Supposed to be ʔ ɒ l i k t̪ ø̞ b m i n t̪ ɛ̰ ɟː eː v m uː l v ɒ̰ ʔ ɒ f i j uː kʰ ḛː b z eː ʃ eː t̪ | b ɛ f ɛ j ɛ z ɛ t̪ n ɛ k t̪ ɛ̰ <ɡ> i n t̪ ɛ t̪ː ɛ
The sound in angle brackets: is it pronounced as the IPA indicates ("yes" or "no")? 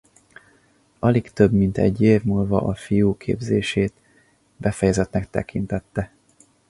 no